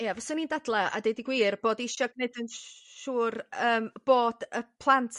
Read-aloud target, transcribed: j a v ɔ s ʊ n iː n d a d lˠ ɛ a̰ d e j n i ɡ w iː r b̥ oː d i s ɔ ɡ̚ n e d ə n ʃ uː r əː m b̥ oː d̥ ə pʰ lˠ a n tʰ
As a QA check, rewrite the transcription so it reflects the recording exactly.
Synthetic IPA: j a v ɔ s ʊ n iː n d a d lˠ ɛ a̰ d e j d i ɡ w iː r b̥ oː d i ʃ ɔ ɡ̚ n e d ə n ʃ uː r əː m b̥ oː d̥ ə pʰ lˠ a n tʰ